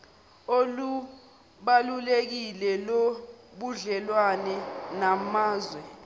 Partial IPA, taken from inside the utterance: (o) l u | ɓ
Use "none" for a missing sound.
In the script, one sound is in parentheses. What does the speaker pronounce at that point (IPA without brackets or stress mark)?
o